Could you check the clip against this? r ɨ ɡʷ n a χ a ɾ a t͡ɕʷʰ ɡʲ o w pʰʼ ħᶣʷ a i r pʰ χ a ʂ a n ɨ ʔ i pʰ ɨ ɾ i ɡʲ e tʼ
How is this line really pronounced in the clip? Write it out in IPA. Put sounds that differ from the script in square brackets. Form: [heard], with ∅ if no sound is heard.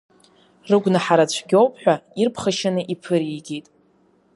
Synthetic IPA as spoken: r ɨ ɡʷ n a [ħ] a ɾ a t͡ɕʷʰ ɡʲ o w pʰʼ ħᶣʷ a i r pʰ χ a [ʃ] a n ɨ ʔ i pʰ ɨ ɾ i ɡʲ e tʼ